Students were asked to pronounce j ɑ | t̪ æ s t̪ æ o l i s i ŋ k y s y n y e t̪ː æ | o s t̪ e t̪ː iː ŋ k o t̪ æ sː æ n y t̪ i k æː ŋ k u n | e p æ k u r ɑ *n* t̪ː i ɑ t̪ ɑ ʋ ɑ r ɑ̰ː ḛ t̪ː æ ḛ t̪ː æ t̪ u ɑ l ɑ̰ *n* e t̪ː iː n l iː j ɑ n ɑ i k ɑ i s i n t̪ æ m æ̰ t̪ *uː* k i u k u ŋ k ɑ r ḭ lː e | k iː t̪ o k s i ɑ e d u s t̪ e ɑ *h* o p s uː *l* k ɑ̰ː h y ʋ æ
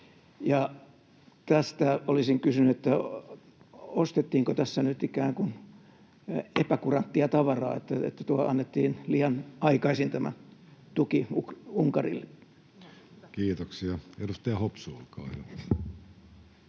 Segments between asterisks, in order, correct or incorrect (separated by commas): correct, incorrect, incorrect, correct, correct